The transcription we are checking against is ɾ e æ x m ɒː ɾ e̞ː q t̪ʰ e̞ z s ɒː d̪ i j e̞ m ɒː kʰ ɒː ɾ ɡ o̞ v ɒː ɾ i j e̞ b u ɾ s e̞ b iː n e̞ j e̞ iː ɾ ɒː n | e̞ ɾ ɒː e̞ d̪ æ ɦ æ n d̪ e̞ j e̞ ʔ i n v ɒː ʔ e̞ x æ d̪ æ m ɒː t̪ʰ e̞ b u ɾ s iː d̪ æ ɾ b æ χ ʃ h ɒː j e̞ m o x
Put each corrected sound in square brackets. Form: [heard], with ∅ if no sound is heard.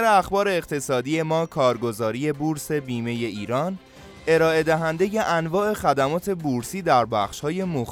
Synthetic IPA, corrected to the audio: ɾ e æ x [b] ɒː ɾ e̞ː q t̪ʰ e̞ [∅] s ɒː d̪ i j e̞ m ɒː kʰ ɒː ɾ ɡ o̞ [z] ɒː ɾ i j e̞ b u ɾ s e̞ b iː [m] e̞ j e̞ iː ɾ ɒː n | e̞ ɾ ɒː e̞ d̪ æ ɦ æ n d̪ e̞ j e̞ ʔ [æ] n v ɒː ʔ e̞ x æ d̪ æ m ɒː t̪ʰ e̞ b u ɾ s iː d̪ æ ɾ b æ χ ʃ h ɒː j e̞ m o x